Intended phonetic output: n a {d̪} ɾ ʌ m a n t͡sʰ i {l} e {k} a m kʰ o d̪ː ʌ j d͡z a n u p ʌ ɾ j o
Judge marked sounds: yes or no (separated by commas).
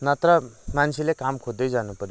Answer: no, yes, yes